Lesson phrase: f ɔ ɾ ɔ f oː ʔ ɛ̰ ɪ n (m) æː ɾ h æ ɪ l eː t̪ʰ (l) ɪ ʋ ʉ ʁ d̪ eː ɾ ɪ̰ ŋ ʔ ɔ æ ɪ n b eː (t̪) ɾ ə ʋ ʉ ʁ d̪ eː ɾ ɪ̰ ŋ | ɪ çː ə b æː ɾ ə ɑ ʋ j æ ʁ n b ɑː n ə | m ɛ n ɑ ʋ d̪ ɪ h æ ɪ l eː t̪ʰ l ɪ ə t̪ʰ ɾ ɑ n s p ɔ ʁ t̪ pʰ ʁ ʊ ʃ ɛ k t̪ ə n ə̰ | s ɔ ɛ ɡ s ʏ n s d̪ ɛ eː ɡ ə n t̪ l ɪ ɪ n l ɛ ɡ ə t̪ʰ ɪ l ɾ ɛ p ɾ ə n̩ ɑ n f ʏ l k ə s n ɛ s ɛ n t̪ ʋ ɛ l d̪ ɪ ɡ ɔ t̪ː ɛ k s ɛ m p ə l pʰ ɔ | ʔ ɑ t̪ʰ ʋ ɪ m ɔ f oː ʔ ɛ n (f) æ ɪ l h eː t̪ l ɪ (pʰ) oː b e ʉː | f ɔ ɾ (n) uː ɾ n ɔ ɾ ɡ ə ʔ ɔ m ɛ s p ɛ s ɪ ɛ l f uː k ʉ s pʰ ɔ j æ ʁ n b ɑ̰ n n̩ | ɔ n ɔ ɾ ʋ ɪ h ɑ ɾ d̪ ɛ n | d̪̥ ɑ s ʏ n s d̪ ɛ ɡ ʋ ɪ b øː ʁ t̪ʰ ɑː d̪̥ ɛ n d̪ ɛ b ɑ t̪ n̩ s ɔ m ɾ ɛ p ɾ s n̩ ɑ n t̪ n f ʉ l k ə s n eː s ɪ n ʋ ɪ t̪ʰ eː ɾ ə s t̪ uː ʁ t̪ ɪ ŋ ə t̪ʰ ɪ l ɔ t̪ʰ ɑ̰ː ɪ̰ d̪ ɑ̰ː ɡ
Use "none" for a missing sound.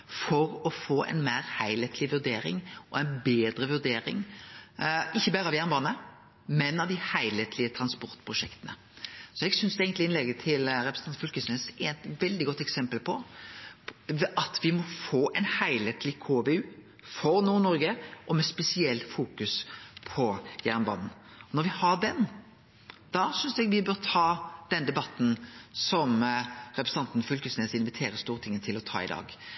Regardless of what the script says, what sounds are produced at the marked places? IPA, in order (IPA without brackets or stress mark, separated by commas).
m, l, d̪, h, kʰ, n